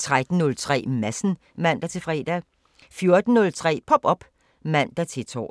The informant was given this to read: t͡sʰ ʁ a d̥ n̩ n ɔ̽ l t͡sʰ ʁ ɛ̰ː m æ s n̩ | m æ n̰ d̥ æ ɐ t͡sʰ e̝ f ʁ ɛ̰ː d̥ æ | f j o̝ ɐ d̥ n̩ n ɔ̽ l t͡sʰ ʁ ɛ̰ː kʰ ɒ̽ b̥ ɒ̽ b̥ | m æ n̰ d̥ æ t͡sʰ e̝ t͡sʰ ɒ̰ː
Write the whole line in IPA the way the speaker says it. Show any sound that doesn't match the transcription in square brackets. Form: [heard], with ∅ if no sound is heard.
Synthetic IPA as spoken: t͡sʰ ʁ a d̥ n̩ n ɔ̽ l t͡sʰ ʁ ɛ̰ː m æ s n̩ | m æ n̰ d̥ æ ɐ t͡sʰ e̝ f ʁ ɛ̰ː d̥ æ | f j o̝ ɐ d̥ n̩ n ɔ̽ l t͡sʰ ʁ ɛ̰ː [pʰ] ɒ̽ b̥ ɒ̽ b̥ | m æ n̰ d̥ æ t͡sʰ e̝ t͡sʰ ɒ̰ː